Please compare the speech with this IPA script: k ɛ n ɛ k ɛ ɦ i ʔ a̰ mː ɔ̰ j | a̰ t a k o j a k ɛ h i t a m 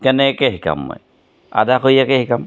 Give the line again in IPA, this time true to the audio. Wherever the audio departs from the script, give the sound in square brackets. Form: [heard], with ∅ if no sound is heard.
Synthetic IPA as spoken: k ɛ n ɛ k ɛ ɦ i [k] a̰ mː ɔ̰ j | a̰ [d] a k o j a k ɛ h i [k] a m